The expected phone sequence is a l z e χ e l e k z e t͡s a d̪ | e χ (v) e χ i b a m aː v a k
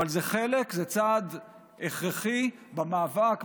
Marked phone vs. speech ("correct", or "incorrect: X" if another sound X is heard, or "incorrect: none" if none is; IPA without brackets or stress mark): incorrect: ʁ